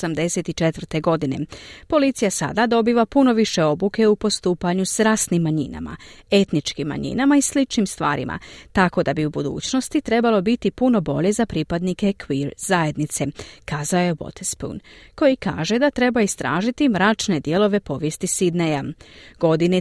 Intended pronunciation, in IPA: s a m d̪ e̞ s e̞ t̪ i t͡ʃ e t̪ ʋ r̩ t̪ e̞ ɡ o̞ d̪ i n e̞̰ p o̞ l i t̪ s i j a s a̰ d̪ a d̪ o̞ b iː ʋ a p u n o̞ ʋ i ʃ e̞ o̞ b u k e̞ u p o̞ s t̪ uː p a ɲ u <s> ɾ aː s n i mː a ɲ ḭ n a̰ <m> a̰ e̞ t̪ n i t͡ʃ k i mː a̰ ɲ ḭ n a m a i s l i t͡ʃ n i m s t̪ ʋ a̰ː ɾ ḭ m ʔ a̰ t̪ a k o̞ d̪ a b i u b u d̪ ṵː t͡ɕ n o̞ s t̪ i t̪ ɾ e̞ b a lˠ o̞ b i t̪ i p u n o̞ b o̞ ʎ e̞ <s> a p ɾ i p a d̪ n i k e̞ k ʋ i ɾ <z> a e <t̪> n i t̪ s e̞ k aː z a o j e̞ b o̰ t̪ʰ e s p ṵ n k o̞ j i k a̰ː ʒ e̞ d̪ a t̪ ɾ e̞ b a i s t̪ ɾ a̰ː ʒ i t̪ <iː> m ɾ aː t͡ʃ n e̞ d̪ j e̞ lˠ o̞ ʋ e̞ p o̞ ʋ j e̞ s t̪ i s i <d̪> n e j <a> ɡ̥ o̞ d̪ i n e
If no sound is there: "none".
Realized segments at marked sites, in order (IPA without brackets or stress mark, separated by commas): s, m, z, z, d̪, i, d̪, a